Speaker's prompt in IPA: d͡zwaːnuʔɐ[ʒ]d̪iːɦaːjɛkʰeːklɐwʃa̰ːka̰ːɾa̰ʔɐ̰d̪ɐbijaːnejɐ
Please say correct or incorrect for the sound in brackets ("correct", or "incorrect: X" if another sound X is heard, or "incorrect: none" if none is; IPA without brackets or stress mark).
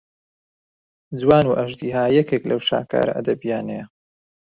correct